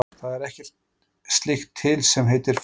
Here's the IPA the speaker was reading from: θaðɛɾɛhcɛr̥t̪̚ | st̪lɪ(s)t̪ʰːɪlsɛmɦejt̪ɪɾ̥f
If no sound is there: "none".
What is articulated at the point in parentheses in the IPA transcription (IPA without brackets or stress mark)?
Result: x